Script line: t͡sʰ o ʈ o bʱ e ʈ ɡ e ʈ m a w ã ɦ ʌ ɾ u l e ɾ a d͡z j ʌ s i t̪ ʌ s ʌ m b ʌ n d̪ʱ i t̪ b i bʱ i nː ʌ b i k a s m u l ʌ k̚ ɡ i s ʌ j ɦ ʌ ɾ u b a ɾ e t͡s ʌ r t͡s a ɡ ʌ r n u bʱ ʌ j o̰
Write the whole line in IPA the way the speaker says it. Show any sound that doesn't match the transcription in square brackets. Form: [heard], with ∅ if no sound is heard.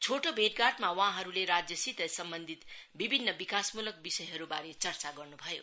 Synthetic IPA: t͡sʰ o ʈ o bʱ e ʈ ɡ [a] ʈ m a w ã ɦ ʌ ɾ u l e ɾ a d͡z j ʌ s i t̪ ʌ s ʌ m b ʌ n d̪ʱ i t̪ b i bʱ i nː ʌ b i k a s m u l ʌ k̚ [b] i s ʌ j ɦ ʌ ɾ u b a ɾ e t͡s ʌ r t͡s a ɡ ʌ r n u bʱ ʌ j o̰

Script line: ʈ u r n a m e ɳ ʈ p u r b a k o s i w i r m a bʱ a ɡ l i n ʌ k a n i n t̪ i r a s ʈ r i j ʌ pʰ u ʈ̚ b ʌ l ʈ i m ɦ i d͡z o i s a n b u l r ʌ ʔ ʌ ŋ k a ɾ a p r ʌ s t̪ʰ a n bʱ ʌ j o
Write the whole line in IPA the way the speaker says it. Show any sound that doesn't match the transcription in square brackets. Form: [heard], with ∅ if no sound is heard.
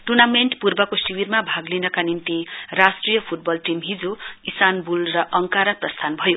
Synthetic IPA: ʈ u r n a m e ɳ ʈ p u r b [ʌ] k o s i w i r m a bʱ a ɡ l i n ʌ k a n i n t̪ i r a s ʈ r i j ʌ pʰ u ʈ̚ b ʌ l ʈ i m ɦ i d͡z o i s a n b u l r ʌ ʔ ʌ ŋ k a ɾ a p r ʌ s t̪ʰ a n bʱ ʌ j o

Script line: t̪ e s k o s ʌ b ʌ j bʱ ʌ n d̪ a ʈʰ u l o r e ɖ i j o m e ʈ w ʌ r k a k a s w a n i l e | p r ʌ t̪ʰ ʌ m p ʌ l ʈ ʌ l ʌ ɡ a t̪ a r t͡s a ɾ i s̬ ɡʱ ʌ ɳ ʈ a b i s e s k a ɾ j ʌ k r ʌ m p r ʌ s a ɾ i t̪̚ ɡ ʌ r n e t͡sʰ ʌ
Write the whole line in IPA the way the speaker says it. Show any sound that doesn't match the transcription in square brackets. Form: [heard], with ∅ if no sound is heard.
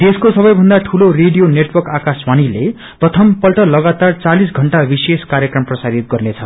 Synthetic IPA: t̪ e s k o s ʌ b ʌ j bʱ ʌ n d̪ a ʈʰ u l o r e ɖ i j o [n] e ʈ w ʌ r k a k a s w a n i l e | p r ʌ t̪ʰ ʌ m p ʌ l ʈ ʌ l ʌ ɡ a t̪ a r t͡s a [l] i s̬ ɡʱ ʌ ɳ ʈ a b i s e s k a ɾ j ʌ k r ʌ m p r ʌ s a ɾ i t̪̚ ɡ ʌ r n e t͡sʰ ʌ

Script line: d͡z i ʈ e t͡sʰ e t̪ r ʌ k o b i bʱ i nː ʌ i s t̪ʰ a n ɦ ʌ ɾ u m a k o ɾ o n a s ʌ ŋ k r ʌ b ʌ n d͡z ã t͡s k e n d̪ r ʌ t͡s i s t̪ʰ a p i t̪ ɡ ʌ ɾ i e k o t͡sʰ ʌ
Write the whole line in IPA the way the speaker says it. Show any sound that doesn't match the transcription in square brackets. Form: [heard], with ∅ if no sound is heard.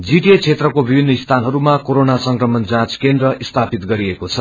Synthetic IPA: d͡z i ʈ e t͡sʰ e t̪ r ʌ k o b i bʱ i nː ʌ i s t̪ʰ a n ɦ ʌ ɾ u m a k o ɾ o n a s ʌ ŋ k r ʌ [m] ʌ n d͡z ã t͡s k e n d̪ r ʌ [∅] i s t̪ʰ a p i t̪ ɡ ʌ ɾ i e k o t͡sʰ ʌ

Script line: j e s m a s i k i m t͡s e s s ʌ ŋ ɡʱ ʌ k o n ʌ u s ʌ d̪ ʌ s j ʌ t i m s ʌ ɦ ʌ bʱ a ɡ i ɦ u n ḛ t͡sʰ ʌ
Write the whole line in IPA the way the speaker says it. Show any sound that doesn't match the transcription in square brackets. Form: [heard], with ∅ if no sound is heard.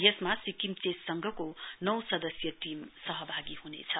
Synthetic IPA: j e s m a s i k i m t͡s e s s ʌ ŋ ɡʱ ʌ k o n ʌ [w] s ʌ d̪ ʌ s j ʌ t i m s ʌ ɦ ʌ bʱ a ɡ i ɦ u n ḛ t͡sʰ ʌ

